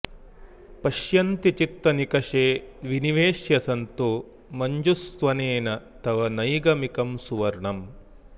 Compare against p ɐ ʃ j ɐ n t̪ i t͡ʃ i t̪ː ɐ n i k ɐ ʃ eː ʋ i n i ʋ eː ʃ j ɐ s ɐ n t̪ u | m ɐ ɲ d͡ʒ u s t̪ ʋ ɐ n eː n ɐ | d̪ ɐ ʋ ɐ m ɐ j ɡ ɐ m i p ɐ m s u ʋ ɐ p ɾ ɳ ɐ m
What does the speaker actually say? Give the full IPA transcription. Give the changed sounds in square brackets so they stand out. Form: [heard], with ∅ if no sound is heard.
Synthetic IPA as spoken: p ɐ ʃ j ɐ n t̪ i t͡ʃ i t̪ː ɐ n i k ɐ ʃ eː ʋ i n i ʋ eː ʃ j ɐ s ɐ n t̪ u | m ɐ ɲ d͡ʒ u s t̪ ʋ ɐ n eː n ɐ | [t̪] ɐ ʋ ɐ [n] ɐ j ɡ ɐ m i [k] ɐ m s u ʋ ɐ [∅] ɾ ɳ ɐ m